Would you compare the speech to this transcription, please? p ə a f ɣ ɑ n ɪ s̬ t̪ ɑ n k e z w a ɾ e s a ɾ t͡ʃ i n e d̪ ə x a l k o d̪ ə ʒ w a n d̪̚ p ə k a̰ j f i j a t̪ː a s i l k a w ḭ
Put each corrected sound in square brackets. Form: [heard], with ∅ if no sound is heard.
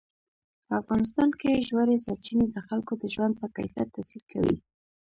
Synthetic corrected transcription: p ə a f ɣ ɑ n ɪ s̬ t̪ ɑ n k e [ʒ] w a ɾ e s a ɾ t͡ʃ i n e d̪ ə x a l k o d̪ ə ʒ w a n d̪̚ p ə k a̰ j f i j a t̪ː a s i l k a w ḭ